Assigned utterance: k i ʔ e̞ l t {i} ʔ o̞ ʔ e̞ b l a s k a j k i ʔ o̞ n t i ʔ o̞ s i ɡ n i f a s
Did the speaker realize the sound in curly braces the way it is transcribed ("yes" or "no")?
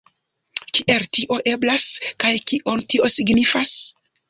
yes